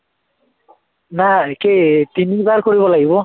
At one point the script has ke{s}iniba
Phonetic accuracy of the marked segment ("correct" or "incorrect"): incorrect